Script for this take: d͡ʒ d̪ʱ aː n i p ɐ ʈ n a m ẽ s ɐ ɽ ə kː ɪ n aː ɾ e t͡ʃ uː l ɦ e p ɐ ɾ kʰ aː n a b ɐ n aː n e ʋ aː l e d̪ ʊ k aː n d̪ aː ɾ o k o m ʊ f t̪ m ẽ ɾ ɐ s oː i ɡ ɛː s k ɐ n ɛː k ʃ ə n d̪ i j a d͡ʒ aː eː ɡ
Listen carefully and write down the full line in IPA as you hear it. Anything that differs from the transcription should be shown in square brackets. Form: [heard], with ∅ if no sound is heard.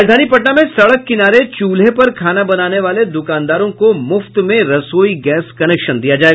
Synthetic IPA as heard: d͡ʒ d̪ʱ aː n i p ɐ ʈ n a m ẽ s ɐ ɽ ə kː ɪ n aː ɾ e t͡ʃ uː l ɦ e p ɐ ɾ kʰ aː n a b ɐ n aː n e ʋ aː l e d̪ ʊ k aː n d̪ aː ɾ [õ] k o m ʊ f t̪ m ẽ ɾ ɐ s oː i ɡ ɛː s k ɐ n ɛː k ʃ ə n d̪ i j a d͡ʒ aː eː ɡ